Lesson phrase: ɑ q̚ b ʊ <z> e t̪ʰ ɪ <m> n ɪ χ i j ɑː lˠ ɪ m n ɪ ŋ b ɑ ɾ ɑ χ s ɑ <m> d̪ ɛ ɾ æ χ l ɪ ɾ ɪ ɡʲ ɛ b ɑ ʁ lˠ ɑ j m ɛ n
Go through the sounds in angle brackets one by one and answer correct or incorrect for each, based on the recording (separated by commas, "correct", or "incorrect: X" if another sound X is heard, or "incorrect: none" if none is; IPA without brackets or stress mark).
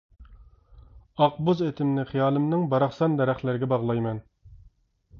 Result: correct, correct, incorrect: n